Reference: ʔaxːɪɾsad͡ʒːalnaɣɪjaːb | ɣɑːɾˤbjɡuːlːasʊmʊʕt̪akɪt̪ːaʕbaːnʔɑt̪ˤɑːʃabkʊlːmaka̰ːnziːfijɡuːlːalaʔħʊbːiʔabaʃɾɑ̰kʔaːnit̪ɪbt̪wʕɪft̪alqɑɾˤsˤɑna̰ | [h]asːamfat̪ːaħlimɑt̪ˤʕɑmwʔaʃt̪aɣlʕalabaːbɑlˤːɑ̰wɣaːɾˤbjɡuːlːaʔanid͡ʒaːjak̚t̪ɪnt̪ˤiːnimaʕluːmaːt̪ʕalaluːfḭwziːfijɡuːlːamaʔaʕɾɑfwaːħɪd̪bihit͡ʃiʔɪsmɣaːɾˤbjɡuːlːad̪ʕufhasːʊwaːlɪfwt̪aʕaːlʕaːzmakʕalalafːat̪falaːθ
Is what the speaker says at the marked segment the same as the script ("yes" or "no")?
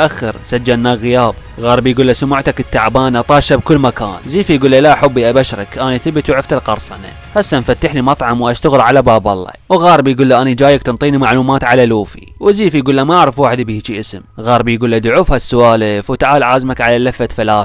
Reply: yes